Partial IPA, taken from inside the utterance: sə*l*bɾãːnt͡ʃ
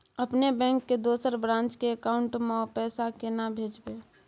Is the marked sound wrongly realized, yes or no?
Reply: yes